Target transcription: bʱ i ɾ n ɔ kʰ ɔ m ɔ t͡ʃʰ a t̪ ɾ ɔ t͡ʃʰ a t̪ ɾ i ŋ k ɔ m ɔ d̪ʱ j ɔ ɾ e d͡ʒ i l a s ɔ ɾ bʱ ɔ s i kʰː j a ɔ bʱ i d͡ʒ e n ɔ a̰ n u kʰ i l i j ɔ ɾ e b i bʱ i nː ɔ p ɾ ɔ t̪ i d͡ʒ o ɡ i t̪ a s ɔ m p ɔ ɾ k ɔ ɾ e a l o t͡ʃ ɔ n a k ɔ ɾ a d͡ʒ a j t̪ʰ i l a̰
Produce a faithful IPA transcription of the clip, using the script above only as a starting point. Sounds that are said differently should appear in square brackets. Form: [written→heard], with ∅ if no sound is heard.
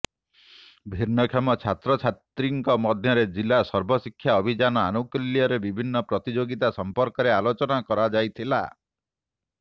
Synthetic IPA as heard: bʱ i ɾ n ɔ kʰ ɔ m ɔ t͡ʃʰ a t̪ ɾ ɔ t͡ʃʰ a t̪ ɾ i ŋ k ɔ m ɔ d̪ʱ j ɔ ɾ e d͡ʒ i l a s ɔ ɾ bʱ ɔ s i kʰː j a ɔ bʱ i d͡ʒ [e→a] n ɔ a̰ n u [kʰ→k] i l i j ɔ ɾ e b i bʱ i nː ɔ p ɾ ɔ t̪ i d͡ʒ o ɡ i t̪ a s ɔ m p ɔ ɾ k ɔ ɾ e a l o t͡ʃ ɔ n a k ɔ ɾ a d͡ʒ a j t̪ʰ i l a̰